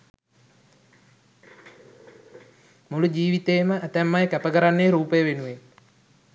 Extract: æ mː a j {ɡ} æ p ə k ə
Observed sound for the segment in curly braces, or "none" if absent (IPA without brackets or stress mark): k